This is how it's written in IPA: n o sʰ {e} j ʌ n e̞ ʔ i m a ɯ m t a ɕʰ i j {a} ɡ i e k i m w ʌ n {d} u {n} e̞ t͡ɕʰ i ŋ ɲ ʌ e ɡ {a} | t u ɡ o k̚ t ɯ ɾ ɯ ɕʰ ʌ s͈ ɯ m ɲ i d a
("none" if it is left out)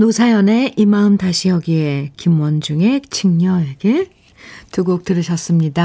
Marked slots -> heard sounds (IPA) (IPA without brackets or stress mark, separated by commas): a, ʌ, d͡ʑ, ŋ, e